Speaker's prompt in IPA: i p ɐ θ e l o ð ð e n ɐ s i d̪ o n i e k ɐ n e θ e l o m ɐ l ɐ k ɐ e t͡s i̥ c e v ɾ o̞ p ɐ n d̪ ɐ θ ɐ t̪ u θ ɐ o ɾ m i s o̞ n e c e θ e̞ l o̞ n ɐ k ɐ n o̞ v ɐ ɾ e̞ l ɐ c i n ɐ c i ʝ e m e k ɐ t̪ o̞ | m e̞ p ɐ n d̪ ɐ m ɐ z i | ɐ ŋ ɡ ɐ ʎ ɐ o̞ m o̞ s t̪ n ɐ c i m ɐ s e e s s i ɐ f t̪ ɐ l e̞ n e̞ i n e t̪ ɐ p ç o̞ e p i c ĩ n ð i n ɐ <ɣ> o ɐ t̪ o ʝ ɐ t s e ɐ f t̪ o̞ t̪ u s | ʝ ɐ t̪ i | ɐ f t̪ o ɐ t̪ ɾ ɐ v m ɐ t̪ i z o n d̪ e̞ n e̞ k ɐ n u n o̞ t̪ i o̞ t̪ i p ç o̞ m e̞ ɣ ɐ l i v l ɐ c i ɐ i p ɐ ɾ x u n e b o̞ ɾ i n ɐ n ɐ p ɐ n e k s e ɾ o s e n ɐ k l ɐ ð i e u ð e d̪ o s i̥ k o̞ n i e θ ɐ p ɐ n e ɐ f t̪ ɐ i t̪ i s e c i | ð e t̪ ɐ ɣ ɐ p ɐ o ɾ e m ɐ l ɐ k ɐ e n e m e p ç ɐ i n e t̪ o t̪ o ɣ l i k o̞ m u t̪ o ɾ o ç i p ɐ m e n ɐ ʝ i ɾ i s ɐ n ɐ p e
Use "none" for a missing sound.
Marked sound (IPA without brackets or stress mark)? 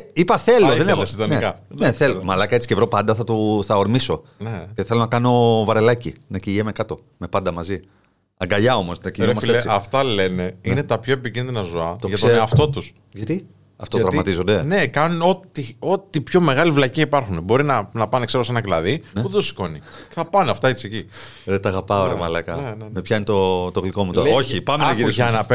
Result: z